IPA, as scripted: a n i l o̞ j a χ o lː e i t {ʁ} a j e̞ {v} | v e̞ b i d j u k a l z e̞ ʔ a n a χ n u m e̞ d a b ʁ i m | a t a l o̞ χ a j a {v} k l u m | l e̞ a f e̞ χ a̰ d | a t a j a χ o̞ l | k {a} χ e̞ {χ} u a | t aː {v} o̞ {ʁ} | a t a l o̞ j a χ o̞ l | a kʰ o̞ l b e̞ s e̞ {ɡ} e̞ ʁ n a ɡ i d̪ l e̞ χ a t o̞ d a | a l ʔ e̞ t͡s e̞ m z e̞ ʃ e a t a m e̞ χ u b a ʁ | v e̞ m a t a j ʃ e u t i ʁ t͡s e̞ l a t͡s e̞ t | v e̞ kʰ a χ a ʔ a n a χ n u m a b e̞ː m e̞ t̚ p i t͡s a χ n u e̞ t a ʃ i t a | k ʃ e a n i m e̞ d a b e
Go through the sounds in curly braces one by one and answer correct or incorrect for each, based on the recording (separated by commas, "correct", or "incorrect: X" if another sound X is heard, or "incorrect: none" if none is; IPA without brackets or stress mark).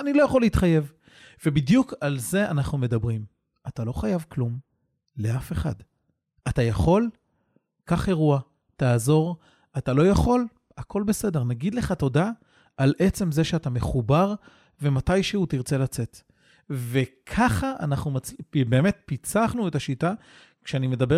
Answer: incorrect: χ, correct, correct, correct, incorrect: ʁ, incorrect: z, correct, incorrect: d